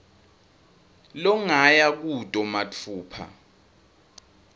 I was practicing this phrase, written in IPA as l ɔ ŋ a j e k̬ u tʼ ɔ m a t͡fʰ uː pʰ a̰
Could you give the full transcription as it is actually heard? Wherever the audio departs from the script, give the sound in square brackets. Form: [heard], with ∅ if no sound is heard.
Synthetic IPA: l ɔ ŋ a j [a] k̬ u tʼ ɔ m a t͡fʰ uː pʰ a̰

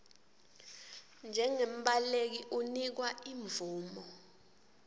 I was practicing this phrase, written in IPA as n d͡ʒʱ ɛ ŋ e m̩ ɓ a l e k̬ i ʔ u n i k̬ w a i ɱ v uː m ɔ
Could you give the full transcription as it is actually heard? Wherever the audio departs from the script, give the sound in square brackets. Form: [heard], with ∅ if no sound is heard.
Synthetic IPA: n d͡ʒʱ ɛ ŋ e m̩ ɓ a l e k̬ i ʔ u n i k̬ w a i ɱ v uː m ɔ

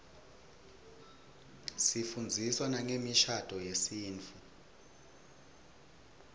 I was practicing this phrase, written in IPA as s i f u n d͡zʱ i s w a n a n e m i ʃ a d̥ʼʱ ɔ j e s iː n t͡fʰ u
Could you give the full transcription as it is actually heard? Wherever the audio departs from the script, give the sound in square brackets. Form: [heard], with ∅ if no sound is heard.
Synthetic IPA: s i f u n d͡zʱ i s w a n a [ŋ] e m i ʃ a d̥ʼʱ ɔ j e s iː n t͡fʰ u

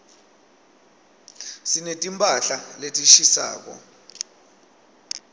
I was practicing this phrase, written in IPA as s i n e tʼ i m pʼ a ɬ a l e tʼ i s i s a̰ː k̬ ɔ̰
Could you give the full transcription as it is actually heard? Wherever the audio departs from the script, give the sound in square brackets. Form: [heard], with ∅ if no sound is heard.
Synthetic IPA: s i n e tʼ i m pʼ a ɬ a l e tʼ i [ʃ] i s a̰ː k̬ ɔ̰

